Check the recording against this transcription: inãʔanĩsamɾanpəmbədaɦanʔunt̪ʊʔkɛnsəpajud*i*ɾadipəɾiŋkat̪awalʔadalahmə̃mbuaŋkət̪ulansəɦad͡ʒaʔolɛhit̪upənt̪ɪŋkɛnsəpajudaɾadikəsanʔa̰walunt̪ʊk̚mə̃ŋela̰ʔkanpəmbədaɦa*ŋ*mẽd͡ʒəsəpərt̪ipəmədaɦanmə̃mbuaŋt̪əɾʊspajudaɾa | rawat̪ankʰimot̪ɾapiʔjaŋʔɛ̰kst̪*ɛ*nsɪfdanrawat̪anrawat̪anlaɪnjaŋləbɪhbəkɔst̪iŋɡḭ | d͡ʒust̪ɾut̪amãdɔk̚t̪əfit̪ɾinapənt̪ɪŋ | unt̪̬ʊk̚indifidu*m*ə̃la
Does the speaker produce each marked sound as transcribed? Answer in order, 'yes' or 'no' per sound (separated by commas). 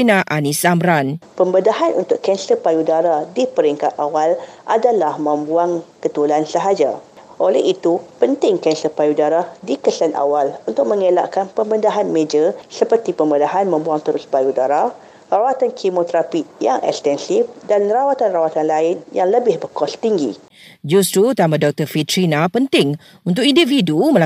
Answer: no, no, yes, yes